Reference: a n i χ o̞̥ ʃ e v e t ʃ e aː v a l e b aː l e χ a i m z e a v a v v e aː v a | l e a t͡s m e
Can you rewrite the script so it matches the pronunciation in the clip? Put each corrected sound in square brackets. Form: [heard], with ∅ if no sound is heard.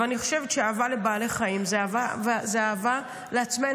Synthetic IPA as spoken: a n i χ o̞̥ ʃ e v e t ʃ e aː v a l e b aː l e χ a i m z e a v a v [z] e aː v a | l e a t͡s m e